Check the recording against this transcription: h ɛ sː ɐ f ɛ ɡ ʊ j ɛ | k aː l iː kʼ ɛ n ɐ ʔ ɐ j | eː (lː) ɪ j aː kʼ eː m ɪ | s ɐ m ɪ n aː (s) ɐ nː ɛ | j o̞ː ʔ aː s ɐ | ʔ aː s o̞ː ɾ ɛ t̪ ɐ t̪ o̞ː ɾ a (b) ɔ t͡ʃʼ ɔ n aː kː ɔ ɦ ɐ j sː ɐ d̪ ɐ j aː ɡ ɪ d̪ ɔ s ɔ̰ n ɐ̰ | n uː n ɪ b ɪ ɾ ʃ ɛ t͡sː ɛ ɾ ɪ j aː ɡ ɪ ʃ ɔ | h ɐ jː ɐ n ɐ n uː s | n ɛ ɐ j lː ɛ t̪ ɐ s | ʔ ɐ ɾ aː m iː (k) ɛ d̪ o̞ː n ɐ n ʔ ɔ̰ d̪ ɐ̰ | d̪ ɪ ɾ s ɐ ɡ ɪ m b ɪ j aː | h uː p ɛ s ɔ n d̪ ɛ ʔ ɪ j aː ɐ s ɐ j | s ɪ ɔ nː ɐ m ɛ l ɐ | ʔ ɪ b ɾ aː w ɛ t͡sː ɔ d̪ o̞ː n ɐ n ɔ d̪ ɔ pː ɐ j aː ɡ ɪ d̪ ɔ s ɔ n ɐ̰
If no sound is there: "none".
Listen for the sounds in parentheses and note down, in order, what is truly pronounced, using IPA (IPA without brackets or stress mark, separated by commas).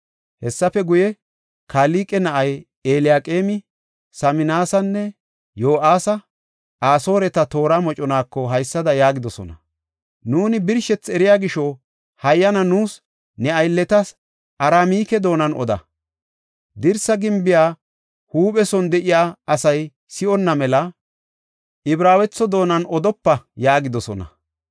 l, s, m, k